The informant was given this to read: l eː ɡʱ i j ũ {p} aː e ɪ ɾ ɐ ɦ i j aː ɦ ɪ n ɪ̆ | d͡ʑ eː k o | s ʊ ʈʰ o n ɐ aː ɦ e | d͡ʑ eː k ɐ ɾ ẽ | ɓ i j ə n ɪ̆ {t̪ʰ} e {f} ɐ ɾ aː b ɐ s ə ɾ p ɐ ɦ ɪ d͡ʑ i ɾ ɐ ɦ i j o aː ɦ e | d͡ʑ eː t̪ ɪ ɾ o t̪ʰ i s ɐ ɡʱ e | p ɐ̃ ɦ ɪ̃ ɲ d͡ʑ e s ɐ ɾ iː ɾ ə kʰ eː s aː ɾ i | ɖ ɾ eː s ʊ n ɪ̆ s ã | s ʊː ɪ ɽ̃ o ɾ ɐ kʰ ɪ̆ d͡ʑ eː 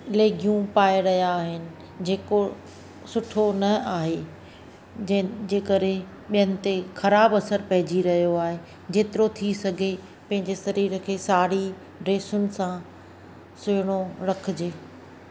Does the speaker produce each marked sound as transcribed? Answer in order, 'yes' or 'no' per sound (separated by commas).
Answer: yes, no, no